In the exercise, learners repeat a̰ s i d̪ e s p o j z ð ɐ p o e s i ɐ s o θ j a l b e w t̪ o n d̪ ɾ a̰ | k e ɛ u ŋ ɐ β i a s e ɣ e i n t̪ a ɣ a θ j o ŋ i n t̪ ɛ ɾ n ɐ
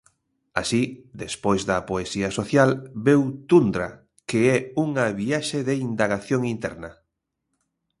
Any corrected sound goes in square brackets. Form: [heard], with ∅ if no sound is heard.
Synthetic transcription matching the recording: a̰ s i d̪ e s p o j z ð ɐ p o e s i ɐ s o θ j a l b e w t̪ [u] n d̪ ɾ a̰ | k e ɛ u ŋ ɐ β i a [ʃ] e [ð] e i n [d̪] a ɣ a θ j o ŋ i n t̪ ɛ ɾ n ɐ